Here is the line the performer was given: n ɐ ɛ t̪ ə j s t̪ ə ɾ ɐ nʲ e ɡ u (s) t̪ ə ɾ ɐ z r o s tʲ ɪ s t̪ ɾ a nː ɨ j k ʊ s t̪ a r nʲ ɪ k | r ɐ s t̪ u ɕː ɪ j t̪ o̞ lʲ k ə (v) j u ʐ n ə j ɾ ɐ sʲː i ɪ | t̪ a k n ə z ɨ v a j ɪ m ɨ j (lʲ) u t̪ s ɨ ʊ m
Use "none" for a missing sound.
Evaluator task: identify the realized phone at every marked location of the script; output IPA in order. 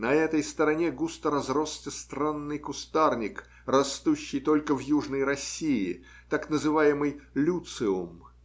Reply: s, v, lʲ

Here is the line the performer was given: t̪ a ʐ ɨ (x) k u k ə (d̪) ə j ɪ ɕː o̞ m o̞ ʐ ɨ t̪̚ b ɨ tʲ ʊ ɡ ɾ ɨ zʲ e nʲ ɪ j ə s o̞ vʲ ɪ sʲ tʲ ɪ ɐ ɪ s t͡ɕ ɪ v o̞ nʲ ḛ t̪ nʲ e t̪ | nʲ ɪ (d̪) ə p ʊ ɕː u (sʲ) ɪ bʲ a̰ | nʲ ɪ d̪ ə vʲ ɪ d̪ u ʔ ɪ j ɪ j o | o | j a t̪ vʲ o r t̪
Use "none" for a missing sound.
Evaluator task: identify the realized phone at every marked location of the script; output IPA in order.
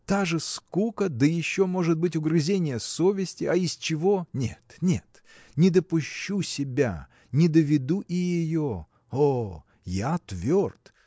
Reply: s, d̪, d̪, sʲ

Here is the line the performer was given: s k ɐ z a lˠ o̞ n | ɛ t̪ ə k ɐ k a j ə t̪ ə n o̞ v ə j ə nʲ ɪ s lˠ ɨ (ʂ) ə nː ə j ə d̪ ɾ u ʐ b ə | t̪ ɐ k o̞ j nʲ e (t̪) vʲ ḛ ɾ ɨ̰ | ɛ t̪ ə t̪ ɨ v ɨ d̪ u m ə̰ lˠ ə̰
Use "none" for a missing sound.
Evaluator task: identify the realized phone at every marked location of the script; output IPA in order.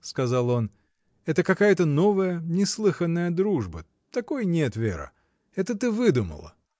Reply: x, t̪

